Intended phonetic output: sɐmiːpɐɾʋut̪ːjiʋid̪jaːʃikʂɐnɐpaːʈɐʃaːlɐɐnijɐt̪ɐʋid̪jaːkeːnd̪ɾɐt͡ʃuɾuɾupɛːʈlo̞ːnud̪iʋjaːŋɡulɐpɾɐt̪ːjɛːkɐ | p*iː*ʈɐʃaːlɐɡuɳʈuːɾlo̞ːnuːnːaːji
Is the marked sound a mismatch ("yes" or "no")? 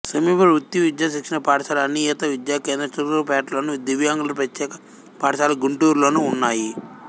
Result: yes